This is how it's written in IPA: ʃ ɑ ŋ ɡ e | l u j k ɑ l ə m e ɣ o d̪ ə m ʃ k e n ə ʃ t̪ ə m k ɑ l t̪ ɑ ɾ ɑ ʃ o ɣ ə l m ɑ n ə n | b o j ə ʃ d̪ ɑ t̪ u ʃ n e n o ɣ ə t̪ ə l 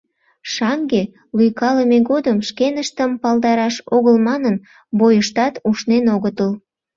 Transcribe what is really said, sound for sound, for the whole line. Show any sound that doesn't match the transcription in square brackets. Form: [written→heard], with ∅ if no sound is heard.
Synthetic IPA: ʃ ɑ ŋ ɡ e | l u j k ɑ l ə m e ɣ o d̪ ə m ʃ k e n ə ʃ t̪ ə m [k→p] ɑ l [t̪→d̪] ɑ ɾ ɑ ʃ o ɣ ə l m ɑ n ə n | b o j ə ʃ [d̪→t̪] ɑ t̪ u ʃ n e n o ɣ ə t̪ ə l